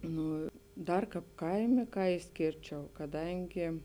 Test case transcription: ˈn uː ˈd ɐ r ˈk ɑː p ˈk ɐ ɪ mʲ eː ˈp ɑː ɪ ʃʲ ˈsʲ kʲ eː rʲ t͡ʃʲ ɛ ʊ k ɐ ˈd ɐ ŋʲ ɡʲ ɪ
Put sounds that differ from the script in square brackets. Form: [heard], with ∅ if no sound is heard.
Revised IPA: ˈn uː ˈd ɐ r ˈk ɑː p ˈk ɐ ɪ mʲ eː [ˈk] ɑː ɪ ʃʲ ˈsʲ kʲ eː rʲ t͡ʃʲ ɛ ʊ k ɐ ˈd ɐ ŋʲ ɡʲ ɪ

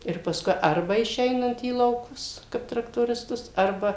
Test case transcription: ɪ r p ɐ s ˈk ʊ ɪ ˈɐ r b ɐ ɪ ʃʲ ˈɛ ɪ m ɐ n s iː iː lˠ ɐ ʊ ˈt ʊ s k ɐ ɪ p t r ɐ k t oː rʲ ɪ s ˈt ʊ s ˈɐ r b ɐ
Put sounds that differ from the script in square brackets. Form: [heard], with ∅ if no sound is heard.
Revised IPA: ɪ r p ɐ s ˈk ʊ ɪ ˈɐ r b ɐ ɪ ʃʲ ˈɛ ɪ [n] ɐ n [t] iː iː lˠ ɐ ʊ [ˈk] ʊ s k ɐ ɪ p t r ɐ k t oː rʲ ɪ s ˈt ʊ s ˈɐ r b ɐ

